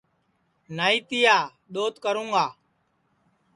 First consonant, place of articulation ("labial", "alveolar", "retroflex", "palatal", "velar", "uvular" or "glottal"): alveolar